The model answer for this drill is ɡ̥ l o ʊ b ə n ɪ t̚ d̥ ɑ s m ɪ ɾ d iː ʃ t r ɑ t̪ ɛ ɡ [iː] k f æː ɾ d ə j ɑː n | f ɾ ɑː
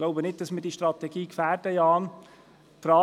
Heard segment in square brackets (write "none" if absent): iː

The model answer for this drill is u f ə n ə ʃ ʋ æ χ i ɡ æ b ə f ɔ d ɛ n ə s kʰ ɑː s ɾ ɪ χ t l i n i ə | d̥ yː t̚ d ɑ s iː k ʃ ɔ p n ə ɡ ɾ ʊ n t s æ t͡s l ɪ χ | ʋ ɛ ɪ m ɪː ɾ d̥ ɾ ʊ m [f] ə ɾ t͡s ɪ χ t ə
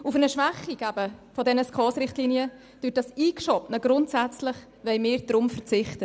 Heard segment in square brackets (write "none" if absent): f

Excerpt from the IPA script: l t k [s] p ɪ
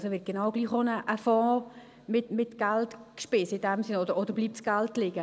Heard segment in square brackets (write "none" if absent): ʃ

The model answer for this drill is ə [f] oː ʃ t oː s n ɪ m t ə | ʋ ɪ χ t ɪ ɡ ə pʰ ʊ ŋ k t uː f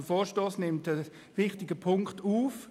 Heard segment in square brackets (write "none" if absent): f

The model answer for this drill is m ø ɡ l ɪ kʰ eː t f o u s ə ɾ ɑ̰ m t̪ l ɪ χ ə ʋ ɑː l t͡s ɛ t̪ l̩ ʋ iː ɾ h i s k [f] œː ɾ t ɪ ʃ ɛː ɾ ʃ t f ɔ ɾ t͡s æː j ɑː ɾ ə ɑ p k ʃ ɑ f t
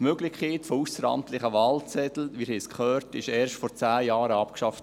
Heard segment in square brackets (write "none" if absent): χ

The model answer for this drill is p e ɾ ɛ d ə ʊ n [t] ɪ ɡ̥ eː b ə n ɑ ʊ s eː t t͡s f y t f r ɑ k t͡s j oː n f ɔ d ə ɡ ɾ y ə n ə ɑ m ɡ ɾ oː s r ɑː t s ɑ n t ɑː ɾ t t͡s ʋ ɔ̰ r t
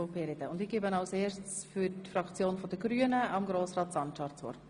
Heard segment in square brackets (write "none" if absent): d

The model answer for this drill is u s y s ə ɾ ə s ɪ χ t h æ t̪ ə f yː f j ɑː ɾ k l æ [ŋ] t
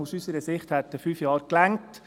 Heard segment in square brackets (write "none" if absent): ŋ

